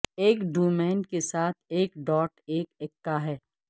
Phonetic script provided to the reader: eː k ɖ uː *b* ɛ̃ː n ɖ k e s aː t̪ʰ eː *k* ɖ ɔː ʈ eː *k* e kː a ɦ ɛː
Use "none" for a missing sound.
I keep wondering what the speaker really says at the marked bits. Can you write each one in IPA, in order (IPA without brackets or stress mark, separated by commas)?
m, k, k